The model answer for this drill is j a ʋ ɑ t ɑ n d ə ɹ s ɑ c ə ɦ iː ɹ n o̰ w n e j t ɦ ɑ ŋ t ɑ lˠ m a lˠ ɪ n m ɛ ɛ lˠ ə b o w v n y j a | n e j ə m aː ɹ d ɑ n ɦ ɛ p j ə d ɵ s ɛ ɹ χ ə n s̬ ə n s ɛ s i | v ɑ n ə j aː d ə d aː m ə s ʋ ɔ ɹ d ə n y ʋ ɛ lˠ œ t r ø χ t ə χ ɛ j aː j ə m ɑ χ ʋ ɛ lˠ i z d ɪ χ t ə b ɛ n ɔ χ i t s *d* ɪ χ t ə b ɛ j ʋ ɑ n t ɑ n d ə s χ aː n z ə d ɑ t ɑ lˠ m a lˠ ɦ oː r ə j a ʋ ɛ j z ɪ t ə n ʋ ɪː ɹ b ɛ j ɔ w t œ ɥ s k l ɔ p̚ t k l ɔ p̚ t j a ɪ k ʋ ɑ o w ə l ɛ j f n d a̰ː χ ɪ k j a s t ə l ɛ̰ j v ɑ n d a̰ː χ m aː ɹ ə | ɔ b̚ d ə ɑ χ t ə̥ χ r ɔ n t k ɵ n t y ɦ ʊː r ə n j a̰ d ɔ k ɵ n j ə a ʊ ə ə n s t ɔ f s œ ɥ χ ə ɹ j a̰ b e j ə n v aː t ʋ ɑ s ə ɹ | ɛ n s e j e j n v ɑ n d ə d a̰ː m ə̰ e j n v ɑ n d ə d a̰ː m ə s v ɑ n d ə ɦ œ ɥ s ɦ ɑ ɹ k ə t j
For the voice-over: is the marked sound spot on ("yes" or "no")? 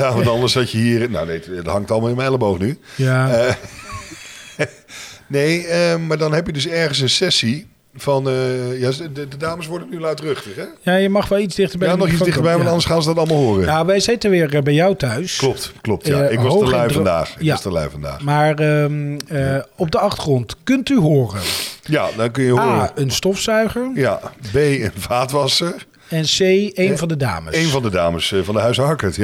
yes